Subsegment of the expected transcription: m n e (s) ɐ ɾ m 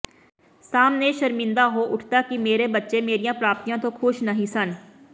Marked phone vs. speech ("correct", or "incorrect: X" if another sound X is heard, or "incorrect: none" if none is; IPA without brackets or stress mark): incorrect: ʃ